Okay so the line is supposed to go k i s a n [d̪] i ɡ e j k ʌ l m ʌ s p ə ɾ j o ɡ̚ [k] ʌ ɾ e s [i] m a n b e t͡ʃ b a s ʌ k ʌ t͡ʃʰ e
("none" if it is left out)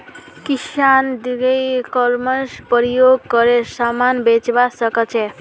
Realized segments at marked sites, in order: d̪, k, a

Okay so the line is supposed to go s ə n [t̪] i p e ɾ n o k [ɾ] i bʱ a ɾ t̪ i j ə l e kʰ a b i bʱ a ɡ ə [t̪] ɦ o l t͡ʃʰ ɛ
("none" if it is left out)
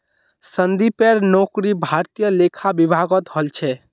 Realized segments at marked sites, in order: d̪, ɾ, t̪

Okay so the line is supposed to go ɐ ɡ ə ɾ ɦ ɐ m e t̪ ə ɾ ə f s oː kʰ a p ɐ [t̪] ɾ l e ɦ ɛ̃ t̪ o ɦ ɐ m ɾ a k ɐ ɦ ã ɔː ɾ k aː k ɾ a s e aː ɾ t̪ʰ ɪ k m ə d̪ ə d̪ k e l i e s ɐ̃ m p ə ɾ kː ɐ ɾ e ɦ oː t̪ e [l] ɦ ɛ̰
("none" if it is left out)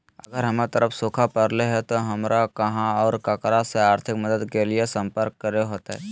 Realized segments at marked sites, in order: none, none

